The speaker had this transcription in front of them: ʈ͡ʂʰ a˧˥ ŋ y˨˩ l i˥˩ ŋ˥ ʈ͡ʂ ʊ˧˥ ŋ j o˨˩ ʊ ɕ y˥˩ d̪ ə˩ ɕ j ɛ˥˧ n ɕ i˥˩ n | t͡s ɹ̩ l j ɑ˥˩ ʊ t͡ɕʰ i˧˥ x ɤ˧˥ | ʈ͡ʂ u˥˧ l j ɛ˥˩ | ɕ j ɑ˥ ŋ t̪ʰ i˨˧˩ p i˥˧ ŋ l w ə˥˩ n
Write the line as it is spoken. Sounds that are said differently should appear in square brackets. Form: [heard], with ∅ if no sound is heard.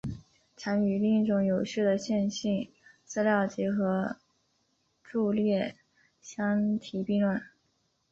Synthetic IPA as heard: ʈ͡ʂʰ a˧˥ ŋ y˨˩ l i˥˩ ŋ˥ ʈ͡ʂ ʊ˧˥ ŋ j o˨˩ ʊ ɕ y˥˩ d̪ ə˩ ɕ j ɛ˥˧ n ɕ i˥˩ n | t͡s ɹ̩ l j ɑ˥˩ ʊ [t͡ɕ] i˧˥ x ɤ˧˥ | ʈ͡ʂ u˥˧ l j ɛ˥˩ | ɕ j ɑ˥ ŋ t̪ʰ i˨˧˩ p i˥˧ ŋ l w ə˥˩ n